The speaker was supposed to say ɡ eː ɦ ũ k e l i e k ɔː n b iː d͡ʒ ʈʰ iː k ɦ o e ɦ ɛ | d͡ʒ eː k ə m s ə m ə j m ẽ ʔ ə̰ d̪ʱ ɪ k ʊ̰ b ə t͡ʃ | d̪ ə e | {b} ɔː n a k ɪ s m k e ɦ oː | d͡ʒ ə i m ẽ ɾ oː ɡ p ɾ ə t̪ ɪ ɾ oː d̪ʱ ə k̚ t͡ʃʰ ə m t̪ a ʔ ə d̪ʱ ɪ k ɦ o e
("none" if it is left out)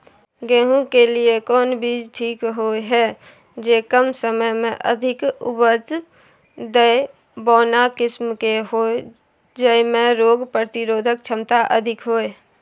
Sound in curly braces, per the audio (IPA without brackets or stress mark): b